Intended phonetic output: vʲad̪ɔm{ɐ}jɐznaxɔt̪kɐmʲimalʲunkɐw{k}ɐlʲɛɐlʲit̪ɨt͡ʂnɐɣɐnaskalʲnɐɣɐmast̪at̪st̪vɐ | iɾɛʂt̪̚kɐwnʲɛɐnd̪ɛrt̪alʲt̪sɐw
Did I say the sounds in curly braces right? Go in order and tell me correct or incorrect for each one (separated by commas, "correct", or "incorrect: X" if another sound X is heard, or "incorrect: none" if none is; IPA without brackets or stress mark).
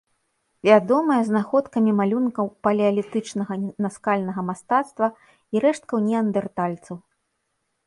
correct, incorrect: p